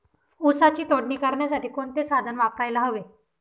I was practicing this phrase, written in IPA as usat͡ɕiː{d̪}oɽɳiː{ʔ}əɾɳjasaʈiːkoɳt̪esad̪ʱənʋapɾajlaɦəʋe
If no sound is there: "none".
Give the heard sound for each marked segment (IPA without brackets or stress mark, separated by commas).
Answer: t̪, k